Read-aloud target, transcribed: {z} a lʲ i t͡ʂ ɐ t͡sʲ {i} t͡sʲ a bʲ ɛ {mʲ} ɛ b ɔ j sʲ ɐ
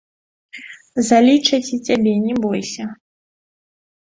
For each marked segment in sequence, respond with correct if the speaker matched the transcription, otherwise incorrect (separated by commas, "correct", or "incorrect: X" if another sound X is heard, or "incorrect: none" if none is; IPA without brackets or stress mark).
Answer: correct, correct, incorrect: nʲ